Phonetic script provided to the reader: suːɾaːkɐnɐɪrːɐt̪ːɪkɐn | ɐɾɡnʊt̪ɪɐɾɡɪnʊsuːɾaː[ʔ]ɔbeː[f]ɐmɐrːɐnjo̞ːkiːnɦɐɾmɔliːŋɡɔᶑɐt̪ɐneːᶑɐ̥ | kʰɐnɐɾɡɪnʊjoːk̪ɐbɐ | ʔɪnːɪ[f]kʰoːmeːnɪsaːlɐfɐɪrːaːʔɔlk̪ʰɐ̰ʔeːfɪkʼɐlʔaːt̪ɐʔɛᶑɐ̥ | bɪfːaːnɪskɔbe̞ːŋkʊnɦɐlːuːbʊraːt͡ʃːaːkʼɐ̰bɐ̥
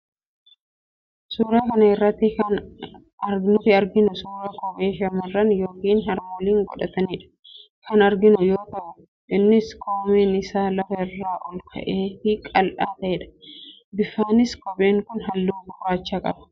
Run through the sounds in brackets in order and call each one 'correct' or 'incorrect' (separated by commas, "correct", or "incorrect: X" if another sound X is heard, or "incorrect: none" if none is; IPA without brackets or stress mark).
incorrect: k, incorrect: ʃ, incorrect: s